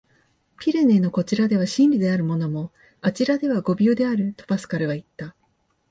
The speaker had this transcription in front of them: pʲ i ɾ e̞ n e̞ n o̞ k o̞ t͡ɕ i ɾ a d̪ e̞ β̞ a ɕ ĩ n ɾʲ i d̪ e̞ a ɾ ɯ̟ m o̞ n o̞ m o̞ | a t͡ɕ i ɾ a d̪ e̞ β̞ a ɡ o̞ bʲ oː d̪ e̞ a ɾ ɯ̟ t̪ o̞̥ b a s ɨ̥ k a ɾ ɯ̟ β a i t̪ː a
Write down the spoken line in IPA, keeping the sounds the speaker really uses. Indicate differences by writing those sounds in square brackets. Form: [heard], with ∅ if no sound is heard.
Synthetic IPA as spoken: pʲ i ɾ e̞ n e̞ n o̞ k o̞ t͡ɕ i ɾ a d̪ e̞ β̞ a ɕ ĩ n ɾʲ i d̪ e̞ a ɾ ɯ̟ m o̞ n o̞ m o̞ | a t͡ɕ i ɾ a d̪ e̞ β̞ a ɡ o̞ bʲ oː d̪ e̞ a ɾ ɯ̟ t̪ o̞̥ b a s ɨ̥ k a ɾ ɯ̟ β a i t̪ː a